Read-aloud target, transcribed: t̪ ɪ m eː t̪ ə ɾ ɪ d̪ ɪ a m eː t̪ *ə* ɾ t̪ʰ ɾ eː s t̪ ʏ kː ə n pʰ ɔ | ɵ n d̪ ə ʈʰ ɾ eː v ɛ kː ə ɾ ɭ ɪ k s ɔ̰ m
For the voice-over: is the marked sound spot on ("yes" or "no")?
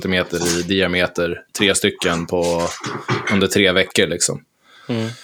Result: yes